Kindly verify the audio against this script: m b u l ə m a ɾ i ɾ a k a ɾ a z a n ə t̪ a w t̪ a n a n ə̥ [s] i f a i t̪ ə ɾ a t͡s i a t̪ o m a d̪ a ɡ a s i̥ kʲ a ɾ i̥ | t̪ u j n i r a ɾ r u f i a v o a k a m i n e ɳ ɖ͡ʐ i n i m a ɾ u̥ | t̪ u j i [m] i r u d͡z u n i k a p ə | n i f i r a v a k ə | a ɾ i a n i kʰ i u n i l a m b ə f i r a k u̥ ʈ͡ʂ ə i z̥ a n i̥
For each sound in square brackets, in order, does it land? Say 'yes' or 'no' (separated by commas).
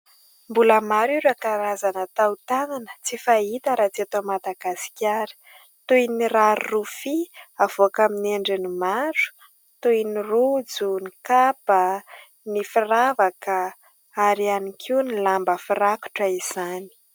no, no